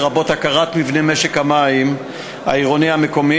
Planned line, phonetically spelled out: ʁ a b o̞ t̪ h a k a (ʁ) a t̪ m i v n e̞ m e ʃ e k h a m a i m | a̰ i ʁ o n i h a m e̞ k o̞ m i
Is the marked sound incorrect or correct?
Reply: correct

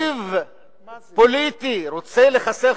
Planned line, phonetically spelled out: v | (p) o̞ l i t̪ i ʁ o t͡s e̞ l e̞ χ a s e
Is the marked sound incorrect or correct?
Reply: correct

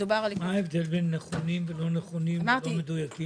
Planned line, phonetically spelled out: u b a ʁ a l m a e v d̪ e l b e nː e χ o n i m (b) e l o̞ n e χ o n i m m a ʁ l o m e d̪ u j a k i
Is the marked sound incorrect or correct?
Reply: incorrect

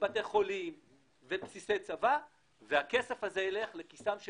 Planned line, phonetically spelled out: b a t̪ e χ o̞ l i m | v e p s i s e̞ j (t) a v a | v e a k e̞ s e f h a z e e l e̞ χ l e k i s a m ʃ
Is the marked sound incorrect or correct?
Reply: incorrect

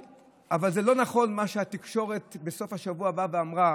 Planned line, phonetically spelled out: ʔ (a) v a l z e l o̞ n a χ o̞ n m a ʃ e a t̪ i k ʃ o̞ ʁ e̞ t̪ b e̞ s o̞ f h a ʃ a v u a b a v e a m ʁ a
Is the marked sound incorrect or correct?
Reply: correct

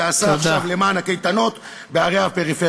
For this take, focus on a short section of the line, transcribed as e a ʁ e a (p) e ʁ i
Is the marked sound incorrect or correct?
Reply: correct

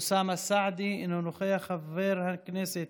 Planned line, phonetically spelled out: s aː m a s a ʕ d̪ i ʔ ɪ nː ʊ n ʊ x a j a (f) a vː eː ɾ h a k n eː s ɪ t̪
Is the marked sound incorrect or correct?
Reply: incorrect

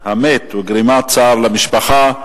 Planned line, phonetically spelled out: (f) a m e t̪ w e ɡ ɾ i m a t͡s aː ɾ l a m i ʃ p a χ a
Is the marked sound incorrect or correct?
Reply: incorrect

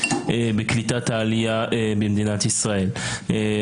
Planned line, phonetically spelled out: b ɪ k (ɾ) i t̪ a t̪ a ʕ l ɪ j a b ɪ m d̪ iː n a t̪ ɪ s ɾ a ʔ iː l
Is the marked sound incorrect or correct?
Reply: incorrect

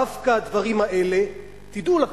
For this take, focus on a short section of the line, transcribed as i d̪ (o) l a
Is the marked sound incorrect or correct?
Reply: incorrect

